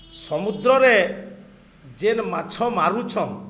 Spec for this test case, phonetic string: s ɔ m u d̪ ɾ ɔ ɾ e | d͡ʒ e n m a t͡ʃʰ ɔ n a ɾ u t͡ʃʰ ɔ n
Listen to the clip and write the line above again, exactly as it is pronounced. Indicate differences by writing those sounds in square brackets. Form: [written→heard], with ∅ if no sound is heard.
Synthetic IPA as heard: s ɔ m u d̪ ɾ ɔ ɾ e | d͡ʒ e n m a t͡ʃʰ ɔ [n→m] a ɾ u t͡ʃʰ ɔ n